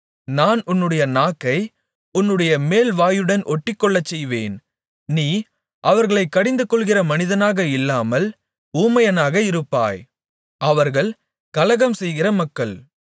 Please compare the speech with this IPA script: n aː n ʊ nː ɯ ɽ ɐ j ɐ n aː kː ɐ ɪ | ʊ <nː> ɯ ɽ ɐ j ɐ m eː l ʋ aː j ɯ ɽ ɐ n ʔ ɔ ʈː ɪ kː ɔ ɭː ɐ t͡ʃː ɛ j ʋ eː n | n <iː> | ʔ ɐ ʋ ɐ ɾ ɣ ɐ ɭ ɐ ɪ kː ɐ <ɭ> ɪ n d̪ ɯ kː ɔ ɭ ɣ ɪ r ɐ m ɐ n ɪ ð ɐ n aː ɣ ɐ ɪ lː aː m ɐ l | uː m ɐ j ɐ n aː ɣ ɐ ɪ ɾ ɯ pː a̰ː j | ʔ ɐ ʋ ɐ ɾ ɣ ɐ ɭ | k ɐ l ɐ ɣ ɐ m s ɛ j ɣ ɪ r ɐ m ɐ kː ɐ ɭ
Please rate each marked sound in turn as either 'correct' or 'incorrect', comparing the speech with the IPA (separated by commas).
correct, correct, incorrect